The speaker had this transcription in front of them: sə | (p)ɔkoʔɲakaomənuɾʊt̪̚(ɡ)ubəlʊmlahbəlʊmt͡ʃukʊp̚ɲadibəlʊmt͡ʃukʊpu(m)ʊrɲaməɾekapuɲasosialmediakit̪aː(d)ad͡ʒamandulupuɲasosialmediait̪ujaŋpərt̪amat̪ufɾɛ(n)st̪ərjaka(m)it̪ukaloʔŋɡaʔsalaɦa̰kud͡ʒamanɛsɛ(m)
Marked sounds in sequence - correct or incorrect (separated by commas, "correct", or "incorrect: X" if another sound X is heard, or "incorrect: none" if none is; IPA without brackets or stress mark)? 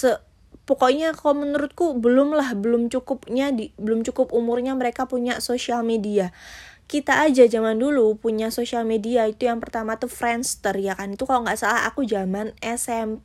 correct, incorrect: k, correct, incorrect: d͡ʒ, correct, incorrect: n, correct